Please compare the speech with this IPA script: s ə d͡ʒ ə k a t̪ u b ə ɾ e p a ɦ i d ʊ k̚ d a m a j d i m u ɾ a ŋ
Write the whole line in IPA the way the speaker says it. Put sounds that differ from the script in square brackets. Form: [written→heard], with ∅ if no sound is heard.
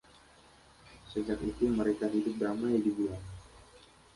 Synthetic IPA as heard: s ə d͡ʒ [ə→a] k [a→i] t̪ u [b→m] ə ɾ e [p→k] a ɦ i d ʊ [k̚→p̚] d a m a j d i [m→b] u [ɾ→l] a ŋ